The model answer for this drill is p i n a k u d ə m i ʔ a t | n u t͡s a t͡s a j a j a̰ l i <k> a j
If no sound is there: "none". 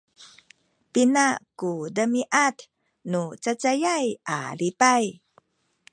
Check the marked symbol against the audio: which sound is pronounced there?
p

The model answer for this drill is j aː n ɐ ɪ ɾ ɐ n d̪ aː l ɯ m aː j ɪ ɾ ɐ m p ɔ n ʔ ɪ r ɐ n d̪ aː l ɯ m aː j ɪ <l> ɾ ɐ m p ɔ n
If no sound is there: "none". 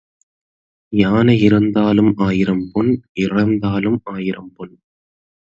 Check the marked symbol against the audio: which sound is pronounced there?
none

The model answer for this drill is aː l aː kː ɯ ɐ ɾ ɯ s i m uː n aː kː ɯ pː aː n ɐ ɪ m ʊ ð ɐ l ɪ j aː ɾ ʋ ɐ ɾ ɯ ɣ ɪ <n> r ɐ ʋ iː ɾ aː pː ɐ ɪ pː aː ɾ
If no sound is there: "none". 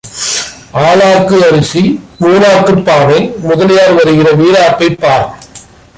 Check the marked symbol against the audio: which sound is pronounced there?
none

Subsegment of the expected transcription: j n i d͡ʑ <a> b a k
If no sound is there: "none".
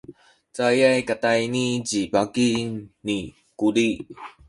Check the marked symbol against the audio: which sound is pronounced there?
i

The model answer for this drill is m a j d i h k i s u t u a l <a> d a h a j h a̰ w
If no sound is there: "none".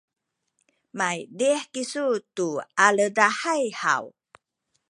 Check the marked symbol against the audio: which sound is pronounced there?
ə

